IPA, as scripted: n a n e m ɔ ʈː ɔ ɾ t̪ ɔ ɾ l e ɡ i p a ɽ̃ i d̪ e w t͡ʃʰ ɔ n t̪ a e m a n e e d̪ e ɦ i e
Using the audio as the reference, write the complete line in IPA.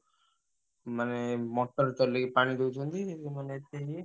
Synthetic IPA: m a n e m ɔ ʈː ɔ ɾ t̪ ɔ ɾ l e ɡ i p a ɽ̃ i d̪ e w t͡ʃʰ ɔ n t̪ i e m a n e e t̪ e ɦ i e